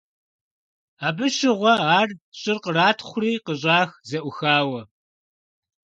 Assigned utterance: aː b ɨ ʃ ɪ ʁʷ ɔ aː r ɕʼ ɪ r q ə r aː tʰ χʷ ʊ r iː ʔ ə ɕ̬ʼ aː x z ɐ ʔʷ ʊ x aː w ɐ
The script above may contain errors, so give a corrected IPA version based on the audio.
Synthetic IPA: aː b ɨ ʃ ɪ ʁʷ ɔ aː r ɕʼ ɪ r q ə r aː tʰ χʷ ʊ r iː q ə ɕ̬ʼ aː x z ɐ ʔʷ ʊ x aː w ɐ

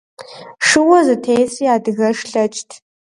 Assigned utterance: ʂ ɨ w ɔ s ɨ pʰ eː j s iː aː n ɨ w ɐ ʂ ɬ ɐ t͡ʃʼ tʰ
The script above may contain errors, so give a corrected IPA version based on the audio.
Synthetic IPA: ʂ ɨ w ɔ z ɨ tʰ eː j s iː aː d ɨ ɣ ɐ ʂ ɬ ɐ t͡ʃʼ tʰ

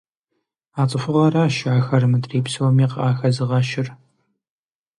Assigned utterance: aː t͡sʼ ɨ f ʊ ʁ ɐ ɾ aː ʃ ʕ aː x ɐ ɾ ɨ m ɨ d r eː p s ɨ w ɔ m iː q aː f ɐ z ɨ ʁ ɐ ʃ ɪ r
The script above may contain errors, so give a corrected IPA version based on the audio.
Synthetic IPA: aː t͡sʼ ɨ f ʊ ʁ ɐ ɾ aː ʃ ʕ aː x ɐ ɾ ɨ m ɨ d r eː p s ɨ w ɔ m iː q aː x ɐ z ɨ ʁ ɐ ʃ ɪ r

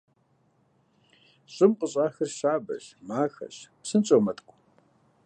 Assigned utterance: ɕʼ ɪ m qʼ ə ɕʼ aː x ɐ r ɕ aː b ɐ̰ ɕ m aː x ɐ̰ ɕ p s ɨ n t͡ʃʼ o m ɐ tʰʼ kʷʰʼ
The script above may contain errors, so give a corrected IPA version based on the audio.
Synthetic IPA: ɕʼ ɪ m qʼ ə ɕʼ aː x ɐ r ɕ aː b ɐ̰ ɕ m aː x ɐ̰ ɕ p s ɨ n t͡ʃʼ o m ɐ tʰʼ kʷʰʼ

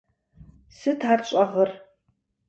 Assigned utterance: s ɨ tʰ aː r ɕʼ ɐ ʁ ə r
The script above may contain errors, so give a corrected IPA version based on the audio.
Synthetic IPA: s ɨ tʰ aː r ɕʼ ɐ ʁ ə r

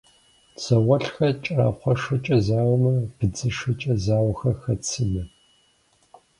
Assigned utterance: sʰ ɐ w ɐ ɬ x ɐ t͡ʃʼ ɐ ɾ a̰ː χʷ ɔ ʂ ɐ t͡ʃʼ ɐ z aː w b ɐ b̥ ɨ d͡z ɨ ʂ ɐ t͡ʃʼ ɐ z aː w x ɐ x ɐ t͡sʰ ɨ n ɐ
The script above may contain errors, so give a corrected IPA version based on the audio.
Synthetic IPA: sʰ ɐ w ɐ ɬ x ɐ t͡ʃʼ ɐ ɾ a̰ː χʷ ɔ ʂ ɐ t͡ʃʼ ɐ z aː w m ɐ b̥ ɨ d͡z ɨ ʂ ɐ t͡ʃʼ ɐ z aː w x ɐ x ɐ t͡sʰ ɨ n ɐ

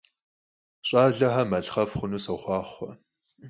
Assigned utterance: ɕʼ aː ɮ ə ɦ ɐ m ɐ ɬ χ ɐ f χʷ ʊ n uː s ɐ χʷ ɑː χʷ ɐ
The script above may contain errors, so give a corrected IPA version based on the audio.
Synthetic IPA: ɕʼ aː ɮ ɐ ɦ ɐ m ɐ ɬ χ ɐ f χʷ ʊ n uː s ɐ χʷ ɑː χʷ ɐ

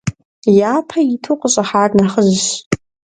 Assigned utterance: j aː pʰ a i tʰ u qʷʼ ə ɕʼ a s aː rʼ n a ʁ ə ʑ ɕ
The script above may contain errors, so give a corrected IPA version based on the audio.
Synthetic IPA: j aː pʰ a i tʰ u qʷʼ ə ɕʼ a ħ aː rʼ n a χ ə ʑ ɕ

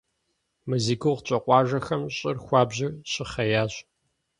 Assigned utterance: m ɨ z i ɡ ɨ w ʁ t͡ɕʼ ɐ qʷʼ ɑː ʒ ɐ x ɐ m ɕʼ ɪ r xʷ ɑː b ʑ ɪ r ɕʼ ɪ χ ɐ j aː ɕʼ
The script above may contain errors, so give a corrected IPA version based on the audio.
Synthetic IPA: m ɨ z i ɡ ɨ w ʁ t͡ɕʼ ɐ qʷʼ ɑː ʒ ɐ x ɐ m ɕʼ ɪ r xʷ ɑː b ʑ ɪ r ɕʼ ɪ χ ɐ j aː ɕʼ

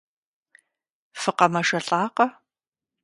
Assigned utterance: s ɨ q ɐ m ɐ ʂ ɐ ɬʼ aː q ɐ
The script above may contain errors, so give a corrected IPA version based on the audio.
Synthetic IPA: f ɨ q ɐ m ɐ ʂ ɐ ɬʼ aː q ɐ

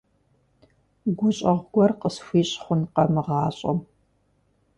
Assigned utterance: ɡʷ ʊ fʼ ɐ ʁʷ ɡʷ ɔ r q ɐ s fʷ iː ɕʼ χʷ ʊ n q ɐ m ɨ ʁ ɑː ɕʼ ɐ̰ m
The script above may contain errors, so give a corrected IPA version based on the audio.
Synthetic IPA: ɡʷ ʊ ɕʼ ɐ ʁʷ ɡʷ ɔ r q ə s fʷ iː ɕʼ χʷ ʊ n q ɐ m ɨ ʁ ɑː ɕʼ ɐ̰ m

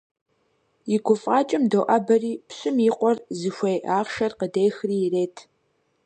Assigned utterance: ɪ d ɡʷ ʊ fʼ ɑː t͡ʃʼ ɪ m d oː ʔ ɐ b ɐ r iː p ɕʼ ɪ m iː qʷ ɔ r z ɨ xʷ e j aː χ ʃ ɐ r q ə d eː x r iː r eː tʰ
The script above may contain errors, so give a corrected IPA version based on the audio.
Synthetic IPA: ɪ ɡʷ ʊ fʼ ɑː t͡ʃʼ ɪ m d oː ʔ ɐ b ɐ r iː p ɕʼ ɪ m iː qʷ ɔ r z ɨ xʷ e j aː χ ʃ ɐ r q ə d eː x r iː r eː tʰ

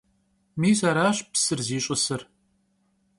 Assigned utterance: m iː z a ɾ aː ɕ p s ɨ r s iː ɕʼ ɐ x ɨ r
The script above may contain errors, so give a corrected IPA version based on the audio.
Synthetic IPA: m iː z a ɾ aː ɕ p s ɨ r z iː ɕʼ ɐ s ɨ r

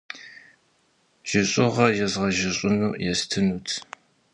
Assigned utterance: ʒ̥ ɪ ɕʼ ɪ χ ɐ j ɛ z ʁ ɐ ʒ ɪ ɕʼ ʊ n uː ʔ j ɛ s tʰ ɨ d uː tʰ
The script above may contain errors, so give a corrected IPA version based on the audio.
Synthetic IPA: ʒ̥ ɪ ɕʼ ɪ ʁ ɐ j ɛ z ʁ ɐ ʒ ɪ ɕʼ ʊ n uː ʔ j ɛ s tʰ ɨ n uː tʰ

